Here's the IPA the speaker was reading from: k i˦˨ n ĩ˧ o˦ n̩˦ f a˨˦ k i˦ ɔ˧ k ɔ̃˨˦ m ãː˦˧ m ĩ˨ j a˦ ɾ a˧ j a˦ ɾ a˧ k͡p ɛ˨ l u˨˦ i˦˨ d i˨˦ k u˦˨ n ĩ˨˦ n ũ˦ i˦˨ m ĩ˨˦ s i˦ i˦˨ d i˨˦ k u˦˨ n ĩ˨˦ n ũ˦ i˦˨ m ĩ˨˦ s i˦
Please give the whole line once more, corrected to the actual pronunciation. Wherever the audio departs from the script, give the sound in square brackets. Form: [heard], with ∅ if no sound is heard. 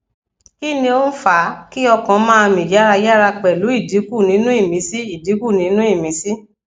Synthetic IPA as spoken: k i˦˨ n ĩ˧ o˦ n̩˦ f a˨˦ k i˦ ɔ˧ k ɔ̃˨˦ m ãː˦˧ m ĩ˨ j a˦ ɾ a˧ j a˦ ɾ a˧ k͡p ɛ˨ l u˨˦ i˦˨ d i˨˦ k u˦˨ n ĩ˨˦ n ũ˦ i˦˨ m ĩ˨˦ s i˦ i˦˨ d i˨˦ k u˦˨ n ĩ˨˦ n ũ˦ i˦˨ m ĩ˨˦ s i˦